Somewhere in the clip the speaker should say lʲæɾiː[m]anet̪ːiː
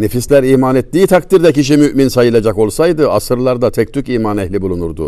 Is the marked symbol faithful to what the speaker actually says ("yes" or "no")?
yes